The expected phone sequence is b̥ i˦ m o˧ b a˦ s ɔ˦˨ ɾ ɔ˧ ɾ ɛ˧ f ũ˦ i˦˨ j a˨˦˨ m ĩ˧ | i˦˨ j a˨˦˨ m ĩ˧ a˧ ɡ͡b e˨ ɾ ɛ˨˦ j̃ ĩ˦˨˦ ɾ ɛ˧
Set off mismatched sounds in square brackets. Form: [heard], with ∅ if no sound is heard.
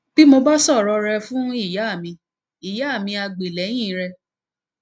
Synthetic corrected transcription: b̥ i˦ m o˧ b a˦ s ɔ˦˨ ɾ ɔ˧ ɾ ɛ˧ f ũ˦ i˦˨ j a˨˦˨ m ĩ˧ | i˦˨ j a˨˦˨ m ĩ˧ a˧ ɡ͡b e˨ [l] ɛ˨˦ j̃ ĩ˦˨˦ ɾ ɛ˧